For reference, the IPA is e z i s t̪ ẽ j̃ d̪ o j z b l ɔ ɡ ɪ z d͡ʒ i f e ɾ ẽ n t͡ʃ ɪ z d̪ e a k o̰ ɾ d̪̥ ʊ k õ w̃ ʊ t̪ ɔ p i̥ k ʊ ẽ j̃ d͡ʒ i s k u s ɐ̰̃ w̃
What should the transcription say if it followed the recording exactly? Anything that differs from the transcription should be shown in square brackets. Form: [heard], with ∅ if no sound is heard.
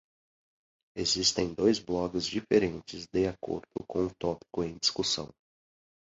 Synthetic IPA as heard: e z i s t̪ ẽ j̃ d̪ o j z b l ɔ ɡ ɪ z d͡ʒ i f e ɾ ẽ n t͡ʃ ɪ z d̪ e a k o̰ ɾ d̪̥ ʊ k õ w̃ ʊ t̪ ɔ p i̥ k ʊ ẽ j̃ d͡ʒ i s k u s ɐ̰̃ w̃